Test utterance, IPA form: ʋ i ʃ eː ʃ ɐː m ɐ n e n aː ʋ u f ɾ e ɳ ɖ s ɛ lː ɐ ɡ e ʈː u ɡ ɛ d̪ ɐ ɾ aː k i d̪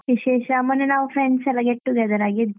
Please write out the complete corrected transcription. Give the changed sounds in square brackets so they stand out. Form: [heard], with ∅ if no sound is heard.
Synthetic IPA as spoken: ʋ i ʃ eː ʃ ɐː m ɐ n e n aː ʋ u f ɾ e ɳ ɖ s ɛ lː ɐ ɡ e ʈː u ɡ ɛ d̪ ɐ ɾ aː [ɡ] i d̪